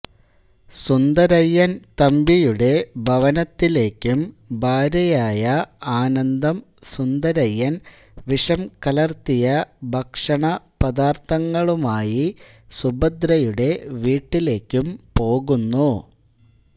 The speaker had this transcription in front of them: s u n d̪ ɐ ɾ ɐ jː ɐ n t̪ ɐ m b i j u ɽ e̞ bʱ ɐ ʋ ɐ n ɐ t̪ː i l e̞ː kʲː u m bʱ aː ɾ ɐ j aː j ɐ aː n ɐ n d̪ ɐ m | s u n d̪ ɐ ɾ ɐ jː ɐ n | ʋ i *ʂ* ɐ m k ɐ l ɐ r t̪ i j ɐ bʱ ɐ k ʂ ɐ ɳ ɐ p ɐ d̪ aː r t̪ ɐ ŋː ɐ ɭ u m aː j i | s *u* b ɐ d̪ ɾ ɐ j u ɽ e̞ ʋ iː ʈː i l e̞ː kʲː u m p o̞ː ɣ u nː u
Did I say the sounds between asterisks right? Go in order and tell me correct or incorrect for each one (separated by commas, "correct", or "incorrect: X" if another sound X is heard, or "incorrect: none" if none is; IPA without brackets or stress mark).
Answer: correct, correct